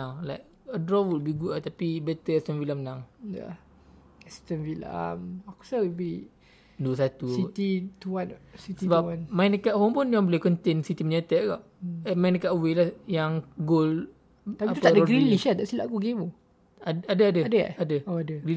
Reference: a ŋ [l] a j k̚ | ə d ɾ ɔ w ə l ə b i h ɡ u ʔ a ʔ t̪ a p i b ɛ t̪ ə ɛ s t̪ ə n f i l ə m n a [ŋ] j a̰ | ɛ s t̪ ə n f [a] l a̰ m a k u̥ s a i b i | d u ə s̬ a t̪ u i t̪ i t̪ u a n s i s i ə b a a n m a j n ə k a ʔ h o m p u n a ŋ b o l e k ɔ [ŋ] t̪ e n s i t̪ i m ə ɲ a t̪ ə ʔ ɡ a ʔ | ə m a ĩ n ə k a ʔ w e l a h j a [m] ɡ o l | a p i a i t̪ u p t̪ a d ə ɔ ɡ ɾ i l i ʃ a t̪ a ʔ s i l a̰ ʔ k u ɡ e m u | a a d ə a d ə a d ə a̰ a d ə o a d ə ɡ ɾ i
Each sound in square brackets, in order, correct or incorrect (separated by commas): correct, correct, incorrect, incorrect, incorrect